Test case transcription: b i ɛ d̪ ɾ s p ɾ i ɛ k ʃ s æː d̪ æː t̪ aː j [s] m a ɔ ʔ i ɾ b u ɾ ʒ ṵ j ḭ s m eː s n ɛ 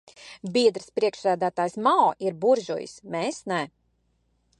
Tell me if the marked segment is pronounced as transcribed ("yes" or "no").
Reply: yes